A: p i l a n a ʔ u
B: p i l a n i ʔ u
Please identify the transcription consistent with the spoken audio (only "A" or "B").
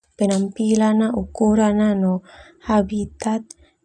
A